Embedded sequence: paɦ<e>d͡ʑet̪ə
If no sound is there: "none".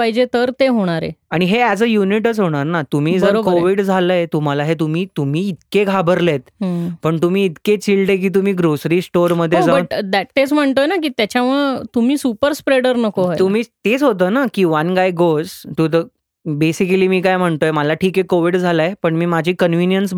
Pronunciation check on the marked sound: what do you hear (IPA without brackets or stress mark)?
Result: i